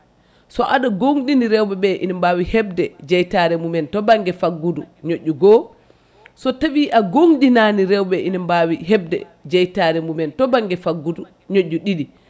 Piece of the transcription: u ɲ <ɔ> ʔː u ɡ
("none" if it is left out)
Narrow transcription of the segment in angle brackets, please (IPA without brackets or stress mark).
o